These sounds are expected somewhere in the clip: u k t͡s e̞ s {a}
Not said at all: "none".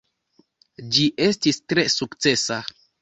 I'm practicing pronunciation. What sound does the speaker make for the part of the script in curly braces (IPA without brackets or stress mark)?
a